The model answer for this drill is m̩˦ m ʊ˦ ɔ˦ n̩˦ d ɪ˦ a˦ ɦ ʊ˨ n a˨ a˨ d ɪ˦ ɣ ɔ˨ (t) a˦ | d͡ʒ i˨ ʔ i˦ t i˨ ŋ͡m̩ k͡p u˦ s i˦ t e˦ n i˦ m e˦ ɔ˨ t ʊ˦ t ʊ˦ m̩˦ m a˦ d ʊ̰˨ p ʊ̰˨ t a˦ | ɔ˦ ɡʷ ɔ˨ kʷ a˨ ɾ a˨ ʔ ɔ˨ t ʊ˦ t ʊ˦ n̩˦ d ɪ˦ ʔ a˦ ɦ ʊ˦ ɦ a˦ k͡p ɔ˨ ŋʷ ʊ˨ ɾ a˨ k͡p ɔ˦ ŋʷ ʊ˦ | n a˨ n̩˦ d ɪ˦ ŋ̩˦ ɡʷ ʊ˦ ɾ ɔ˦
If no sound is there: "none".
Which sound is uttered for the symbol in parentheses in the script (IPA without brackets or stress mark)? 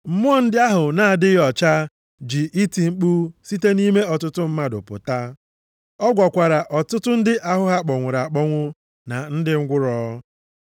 t͡ʃ